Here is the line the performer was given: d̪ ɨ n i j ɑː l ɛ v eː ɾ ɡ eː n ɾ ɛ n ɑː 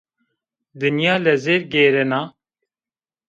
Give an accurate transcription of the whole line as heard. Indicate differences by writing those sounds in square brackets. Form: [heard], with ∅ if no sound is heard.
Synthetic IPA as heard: d̪ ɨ n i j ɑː l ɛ [z] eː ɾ ɡ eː [∅] ɾ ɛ n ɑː